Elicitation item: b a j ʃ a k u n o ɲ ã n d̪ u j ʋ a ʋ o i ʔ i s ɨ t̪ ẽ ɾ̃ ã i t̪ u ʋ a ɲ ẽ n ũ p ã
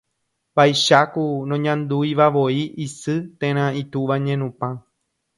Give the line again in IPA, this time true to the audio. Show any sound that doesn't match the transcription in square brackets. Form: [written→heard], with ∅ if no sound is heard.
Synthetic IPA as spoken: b a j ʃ a k u n [o→õ] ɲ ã n d̪ u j ʋ a ʋ o i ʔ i s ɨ t̪ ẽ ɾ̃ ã i t̪ u ʋ a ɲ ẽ n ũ p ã